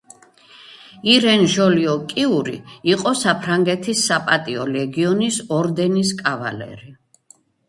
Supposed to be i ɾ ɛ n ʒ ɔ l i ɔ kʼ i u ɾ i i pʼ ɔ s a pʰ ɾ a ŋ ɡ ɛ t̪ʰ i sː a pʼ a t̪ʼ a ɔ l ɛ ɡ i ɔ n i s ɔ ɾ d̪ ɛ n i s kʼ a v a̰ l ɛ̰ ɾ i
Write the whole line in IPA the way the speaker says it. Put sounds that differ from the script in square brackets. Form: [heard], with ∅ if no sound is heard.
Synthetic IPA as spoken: i ɾ ɛ n ʒ ɔ l i ɔ kʼ i u ɾ i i [qʼ] ɔ s a pʰ ɾ a ŋ ɡ ɛ t̪ʰ i sː a pʼ a t̪ʼ [i] ɔ l ɛ ɡ i ɔ n i s ɔ ɾ d̪ ɛ n i s kʼ a v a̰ l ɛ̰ ɾ i